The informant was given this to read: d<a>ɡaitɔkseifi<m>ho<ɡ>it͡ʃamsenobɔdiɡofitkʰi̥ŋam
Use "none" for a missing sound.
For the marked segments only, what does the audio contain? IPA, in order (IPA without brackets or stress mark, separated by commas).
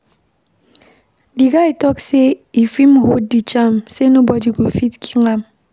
i, m, d